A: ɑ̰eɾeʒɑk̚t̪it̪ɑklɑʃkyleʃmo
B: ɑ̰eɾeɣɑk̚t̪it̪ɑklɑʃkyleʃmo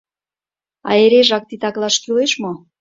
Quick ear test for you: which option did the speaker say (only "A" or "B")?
A